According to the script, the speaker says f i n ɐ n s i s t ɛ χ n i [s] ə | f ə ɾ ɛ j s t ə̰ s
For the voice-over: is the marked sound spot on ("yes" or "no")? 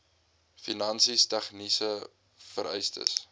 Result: yes